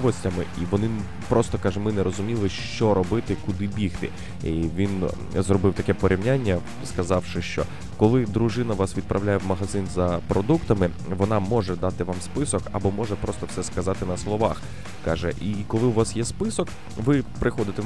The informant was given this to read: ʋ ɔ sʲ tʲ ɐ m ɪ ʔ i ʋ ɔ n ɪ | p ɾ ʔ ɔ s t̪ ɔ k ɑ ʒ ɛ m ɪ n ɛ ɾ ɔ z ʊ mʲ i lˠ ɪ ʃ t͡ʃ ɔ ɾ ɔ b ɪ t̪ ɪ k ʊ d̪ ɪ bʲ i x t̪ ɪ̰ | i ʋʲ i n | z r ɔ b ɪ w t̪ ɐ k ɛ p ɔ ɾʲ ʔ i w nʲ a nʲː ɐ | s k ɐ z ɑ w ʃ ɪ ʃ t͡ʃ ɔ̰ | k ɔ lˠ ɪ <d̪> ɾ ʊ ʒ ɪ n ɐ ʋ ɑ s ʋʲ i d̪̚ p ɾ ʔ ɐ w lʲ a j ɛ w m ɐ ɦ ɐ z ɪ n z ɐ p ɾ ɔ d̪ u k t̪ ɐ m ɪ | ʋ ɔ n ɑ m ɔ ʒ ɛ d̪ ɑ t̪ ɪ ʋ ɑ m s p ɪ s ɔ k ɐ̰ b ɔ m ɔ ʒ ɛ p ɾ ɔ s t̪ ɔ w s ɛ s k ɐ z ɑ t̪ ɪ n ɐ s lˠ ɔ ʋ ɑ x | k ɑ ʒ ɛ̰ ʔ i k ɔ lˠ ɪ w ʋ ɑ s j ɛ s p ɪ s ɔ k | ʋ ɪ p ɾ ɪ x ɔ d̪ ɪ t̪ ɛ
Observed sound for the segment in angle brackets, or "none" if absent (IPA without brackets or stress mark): d̪